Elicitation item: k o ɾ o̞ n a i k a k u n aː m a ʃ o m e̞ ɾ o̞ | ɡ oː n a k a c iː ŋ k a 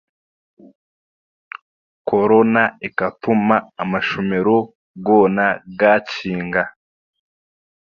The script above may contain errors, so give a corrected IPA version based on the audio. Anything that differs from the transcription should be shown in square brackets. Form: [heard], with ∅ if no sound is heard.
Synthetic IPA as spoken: k o ɾ o̞ n a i k a [t] u [m] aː m a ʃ o m e̞ ɾ o̞ | ɡ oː n a [ɡ] a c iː ŋ [ɡ] a